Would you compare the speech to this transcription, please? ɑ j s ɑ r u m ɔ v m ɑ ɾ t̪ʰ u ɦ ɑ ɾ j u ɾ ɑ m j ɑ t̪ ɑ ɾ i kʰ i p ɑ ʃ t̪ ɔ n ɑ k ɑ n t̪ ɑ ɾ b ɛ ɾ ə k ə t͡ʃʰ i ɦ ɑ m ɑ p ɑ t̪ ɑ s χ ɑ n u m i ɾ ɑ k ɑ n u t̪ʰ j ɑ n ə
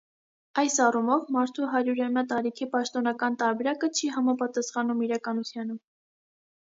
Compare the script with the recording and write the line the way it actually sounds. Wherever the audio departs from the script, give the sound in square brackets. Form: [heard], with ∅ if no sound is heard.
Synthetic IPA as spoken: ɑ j s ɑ r u m ɔ v m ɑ ɾ t̪ʰ u ɦ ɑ ɾ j u ɾ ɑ m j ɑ t̪ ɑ ɾ i kʰ i p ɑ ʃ t̪ ɔ n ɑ k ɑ n t̪ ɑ ɾ b ɛ ɾ [ɑ] k ə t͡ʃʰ i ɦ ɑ m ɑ p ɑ t̪ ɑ s χ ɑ n u m i ɾ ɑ k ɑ n u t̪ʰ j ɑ n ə